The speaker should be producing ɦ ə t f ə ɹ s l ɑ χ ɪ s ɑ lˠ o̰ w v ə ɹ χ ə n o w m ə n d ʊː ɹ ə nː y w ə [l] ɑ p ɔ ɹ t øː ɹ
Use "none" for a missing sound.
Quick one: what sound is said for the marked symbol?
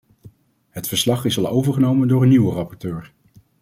r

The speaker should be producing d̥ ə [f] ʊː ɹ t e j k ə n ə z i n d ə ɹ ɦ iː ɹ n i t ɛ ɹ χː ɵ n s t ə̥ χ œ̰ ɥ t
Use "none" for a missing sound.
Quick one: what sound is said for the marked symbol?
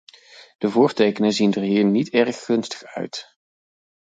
v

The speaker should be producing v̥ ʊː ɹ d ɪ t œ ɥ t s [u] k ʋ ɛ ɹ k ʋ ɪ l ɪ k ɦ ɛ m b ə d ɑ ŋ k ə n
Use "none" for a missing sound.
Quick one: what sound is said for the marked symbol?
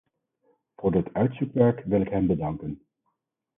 u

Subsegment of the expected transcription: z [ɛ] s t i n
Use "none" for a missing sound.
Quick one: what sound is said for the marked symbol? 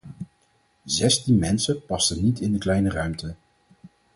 ɛ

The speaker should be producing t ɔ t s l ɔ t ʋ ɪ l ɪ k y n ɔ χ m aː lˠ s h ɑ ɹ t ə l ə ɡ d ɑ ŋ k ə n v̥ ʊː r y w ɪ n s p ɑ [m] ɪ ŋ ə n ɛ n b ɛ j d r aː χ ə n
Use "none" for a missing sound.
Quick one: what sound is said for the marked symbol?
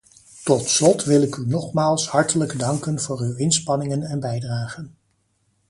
n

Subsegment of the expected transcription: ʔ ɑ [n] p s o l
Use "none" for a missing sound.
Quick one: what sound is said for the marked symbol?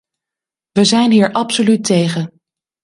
none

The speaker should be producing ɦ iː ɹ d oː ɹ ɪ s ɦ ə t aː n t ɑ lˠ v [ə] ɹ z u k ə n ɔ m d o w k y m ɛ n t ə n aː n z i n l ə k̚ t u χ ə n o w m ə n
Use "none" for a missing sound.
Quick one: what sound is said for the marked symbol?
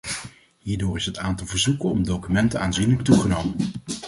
ə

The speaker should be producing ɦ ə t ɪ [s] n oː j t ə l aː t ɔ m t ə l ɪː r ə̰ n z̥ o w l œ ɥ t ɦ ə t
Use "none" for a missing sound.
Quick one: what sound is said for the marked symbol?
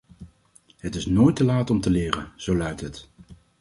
s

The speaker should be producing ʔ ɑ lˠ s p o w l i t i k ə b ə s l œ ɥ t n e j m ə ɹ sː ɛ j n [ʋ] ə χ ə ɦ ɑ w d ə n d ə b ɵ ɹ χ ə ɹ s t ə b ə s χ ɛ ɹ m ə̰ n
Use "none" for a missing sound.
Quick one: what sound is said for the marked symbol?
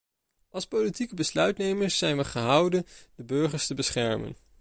ʋ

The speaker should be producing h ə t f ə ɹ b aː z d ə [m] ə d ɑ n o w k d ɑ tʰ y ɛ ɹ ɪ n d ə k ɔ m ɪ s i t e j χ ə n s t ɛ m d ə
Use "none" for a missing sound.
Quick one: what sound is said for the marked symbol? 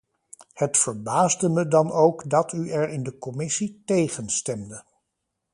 m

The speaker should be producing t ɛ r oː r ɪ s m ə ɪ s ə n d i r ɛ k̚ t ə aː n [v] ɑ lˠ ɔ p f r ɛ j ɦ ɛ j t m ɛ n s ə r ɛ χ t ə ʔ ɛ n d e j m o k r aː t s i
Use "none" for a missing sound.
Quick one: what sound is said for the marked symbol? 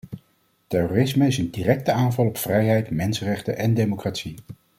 v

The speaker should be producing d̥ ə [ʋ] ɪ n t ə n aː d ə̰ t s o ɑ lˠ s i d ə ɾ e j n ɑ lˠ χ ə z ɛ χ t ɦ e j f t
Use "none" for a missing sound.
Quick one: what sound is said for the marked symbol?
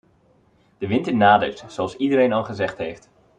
ʋ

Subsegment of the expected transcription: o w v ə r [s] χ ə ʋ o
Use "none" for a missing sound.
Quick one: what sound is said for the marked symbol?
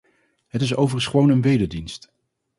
s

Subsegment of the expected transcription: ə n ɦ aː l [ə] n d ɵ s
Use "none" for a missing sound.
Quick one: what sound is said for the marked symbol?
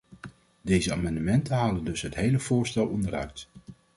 ə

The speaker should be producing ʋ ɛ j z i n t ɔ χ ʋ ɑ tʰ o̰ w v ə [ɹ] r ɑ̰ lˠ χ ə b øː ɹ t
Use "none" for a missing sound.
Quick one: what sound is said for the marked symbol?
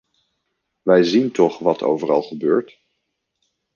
none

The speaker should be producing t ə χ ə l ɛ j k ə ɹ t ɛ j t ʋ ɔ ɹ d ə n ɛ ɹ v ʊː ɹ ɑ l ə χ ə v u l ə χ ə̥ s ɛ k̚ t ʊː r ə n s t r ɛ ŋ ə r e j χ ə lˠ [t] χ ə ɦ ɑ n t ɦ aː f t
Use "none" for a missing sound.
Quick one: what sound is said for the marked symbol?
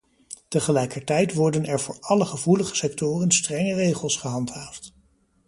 s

